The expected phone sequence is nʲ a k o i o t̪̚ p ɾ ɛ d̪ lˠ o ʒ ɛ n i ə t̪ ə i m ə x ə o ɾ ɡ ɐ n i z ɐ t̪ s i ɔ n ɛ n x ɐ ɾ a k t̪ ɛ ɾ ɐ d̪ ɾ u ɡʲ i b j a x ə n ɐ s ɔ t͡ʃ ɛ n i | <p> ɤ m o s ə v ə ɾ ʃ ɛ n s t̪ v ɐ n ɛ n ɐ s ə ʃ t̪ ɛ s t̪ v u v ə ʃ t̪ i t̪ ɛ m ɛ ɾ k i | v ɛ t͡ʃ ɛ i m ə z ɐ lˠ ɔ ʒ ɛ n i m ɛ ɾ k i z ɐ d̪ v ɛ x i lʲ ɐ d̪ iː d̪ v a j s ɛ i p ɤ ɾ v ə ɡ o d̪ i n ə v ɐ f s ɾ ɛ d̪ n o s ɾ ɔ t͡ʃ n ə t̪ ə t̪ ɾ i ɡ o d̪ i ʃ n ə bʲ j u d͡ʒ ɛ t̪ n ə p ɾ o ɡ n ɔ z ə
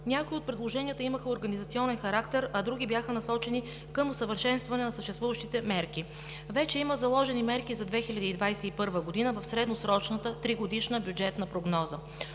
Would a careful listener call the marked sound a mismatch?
yes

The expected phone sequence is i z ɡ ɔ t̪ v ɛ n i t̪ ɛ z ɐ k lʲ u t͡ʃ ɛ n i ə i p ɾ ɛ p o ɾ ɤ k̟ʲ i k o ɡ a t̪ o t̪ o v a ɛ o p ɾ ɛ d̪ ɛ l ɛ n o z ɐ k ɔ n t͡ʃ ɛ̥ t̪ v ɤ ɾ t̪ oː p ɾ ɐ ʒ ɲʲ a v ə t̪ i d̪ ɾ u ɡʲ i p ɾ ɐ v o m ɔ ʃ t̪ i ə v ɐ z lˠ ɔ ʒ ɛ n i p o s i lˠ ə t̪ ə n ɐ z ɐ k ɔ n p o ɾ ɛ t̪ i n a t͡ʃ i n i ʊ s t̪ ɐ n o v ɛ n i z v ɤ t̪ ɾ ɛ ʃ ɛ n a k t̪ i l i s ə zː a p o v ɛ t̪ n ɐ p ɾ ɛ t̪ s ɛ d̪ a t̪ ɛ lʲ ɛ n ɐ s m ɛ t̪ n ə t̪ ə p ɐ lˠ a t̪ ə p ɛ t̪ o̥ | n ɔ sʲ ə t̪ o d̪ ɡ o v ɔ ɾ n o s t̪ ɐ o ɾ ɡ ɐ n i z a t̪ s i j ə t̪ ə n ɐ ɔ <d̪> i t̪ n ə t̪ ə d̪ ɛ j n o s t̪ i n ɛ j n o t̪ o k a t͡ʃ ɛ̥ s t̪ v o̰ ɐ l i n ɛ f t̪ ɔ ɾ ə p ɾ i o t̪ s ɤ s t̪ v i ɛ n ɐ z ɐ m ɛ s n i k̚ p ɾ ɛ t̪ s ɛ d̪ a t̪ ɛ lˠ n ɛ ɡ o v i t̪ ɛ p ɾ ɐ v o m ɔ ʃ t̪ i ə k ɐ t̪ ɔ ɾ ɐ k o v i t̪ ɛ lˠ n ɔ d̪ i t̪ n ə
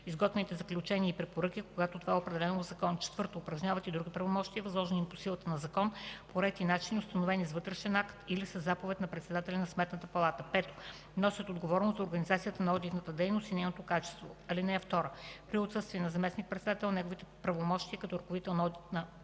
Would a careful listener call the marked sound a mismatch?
no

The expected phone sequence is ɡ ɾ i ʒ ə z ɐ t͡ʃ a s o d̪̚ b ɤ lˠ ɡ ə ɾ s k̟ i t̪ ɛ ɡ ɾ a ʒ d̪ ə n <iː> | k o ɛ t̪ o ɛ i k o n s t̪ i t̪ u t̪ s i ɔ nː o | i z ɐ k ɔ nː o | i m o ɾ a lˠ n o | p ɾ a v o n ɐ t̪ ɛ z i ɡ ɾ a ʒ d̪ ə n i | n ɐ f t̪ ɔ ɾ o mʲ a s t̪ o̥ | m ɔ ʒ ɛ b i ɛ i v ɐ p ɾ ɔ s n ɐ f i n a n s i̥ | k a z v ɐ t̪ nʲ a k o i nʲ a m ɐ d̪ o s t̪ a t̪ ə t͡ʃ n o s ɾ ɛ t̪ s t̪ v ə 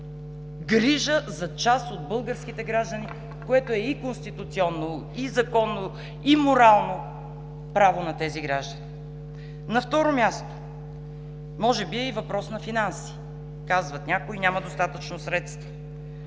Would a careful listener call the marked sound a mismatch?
yes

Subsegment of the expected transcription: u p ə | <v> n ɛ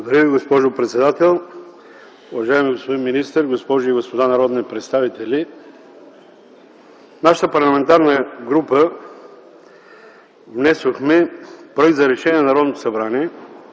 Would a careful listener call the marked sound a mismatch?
no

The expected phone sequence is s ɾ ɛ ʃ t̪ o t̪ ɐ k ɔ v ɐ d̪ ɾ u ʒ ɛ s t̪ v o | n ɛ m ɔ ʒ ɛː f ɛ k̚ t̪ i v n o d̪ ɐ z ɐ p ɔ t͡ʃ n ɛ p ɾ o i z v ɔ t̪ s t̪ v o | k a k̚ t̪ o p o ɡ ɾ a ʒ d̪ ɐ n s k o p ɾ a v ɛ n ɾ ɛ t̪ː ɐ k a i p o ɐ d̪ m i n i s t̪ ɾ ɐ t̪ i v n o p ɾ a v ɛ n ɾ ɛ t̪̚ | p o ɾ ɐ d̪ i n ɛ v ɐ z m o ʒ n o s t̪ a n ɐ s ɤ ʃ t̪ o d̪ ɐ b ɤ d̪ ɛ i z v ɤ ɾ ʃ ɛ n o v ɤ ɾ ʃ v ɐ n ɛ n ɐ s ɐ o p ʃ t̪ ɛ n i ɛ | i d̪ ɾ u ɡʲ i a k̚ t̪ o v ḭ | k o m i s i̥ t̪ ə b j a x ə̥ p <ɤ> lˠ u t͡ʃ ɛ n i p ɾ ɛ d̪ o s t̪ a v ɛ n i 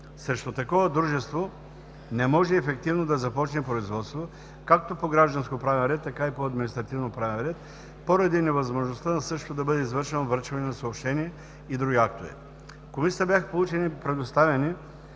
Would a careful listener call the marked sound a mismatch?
yes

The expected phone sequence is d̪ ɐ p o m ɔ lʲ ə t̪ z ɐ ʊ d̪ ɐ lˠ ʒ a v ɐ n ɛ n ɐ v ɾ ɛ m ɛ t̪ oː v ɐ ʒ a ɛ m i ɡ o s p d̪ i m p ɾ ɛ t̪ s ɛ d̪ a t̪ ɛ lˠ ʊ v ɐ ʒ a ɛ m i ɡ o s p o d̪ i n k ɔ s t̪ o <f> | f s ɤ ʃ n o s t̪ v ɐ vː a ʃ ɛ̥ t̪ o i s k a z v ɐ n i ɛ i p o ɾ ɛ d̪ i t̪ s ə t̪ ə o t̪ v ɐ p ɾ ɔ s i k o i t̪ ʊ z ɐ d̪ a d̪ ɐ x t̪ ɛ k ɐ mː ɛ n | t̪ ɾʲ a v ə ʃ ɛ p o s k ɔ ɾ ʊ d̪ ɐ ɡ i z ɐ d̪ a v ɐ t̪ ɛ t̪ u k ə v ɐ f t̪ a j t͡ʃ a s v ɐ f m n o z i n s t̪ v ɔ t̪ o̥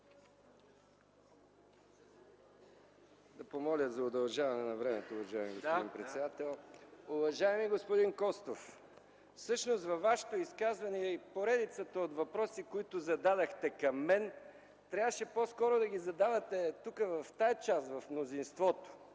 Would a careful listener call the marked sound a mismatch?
no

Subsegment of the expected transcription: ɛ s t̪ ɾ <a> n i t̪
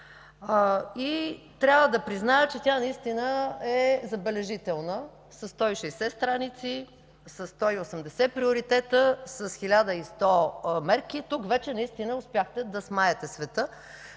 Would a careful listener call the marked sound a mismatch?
no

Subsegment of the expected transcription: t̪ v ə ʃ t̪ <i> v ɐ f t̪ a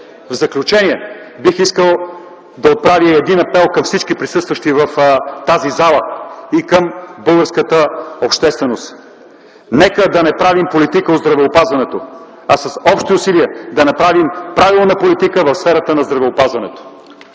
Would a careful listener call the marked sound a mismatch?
no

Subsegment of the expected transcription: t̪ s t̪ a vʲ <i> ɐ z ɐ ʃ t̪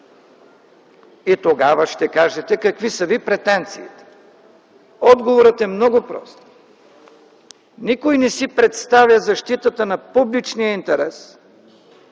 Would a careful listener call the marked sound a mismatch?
yes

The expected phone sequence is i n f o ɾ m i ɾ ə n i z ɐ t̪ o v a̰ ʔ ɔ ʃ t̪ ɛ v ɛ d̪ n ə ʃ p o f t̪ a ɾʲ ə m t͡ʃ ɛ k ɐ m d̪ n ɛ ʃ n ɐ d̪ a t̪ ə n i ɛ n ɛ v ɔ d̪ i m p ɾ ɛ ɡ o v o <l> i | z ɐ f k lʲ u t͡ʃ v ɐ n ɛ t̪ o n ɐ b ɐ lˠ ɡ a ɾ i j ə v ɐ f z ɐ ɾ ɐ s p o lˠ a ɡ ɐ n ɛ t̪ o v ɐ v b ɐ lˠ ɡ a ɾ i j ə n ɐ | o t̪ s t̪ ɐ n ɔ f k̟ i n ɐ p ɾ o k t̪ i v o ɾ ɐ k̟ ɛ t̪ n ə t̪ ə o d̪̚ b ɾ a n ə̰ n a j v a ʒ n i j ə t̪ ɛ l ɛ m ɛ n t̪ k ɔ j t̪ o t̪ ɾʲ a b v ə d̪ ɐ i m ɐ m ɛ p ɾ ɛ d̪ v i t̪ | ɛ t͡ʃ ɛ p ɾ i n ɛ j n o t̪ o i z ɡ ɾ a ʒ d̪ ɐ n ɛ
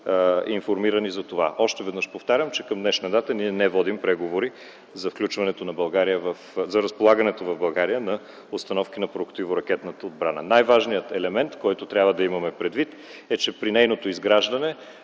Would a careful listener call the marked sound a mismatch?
yes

